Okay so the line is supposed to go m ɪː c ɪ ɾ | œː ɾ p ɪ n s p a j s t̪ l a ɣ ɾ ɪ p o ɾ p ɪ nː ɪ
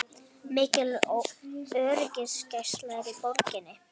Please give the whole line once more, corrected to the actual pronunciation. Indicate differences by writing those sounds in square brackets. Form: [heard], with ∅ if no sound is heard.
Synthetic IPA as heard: m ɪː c ɪ [l] | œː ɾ [c] ɪ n s [c] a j s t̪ l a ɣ ɾ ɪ p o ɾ [c] ɪ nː ɪ